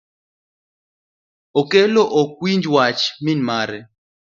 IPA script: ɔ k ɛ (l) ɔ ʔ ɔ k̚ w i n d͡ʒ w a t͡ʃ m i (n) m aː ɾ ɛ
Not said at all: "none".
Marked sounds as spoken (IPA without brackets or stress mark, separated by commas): l, n